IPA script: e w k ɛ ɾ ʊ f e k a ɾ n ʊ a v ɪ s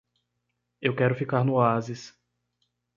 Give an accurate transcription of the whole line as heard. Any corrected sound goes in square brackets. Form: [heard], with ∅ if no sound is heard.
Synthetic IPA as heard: e w k ɛ ɾ ʊ f [i] k a ɾ n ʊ a [z] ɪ s

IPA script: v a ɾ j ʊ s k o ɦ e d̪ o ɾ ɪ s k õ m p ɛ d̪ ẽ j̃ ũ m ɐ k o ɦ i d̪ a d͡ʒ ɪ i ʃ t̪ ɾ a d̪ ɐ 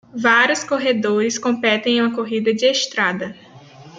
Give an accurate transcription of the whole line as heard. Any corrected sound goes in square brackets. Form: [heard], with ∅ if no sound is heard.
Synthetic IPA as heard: v a ɾ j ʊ s k o ɦ e d̪ o ɾ ɪ s k õ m p ɛ [t̪] ẽ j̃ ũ m ɐ k o ɦ i d̪ [ɐ] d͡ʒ ɪ [e] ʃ t̪ ɾ a d̪ ɐ

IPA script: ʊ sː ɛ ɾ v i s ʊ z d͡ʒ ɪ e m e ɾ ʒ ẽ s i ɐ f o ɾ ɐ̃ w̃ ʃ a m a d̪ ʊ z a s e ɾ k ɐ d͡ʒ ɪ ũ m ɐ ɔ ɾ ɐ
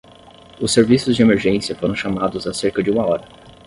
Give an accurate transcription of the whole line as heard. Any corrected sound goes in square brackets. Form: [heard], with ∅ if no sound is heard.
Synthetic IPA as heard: ʊ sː [e] ɾ v i s ʊ z d͡ʒ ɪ e m e ɾ ʒ ẽ s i ɐ f o ɾ ɐ̃ w̃ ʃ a m a d̪ ʊ z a s e ɾ k ɐ d͡ʒ ɪ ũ m ɐ ɔ ɾ ɐ

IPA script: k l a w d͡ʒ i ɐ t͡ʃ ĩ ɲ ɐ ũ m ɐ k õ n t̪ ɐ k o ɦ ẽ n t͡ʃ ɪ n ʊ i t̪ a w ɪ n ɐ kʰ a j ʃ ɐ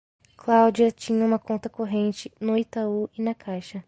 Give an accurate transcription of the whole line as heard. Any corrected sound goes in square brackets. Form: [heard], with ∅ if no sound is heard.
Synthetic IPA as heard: k l a w d͡ʒ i ɐ t͡ʃ ĩ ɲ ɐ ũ m ɐ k õ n t̪ ɐ k o ɦ ẽ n t͡ʃ ɪ n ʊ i t̪ a [u] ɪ n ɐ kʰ a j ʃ ɐ

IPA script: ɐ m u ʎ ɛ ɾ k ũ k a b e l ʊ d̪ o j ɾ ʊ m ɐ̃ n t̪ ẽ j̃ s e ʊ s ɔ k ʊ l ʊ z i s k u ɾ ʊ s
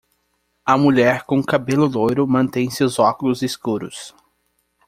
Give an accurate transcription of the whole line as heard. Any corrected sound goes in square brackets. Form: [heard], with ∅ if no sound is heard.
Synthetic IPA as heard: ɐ m u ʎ ɛ ɾ k [õ] k a b e l ʊ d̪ o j ɾ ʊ m ɐ̃ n t̪ ẽ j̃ s e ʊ [z] ɔ k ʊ l ʊ z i s k u ɾ ʊ s

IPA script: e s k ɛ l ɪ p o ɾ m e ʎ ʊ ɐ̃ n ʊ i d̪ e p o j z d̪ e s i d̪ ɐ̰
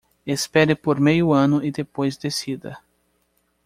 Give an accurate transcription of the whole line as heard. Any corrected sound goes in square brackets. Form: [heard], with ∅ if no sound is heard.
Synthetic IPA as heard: e s [p] ɛ [ɾ] ɪ p o ɾ m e [j] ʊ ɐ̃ n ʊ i d̪ e p o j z d̪ e s i d̪ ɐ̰

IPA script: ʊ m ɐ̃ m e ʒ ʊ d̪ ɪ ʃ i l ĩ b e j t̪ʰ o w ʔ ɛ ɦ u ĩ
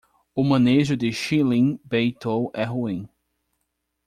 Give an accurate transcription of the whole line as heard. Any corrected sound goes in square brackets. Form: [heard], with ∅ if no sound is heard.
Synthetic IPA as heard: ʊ m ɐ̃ [n] e ʒ ʊ d̪ ɪ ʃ i l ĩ b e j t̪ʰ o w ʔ ɛ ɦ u ĩ

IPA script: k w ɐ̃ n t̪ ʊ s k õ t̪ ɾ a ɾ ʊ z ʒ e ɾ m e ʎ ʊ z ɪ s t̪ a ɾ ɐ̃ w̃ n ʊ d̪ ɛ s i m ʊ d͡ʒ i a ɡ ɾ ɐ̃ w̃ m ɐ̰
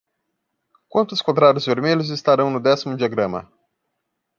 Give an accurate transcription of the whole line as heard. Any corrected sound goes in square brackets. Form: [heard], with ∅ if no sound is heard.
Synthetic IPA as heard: k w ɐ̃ n t̪ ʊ s k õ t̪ ɾ a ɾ ʊ z [v] e ɾ m e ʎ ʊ z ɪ s t̪ a ɾ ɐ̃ w̃ n ʊ d̪ ɛ s i m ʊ d͡ʒ i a ɡ ɾ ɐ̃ [∅] m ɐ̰

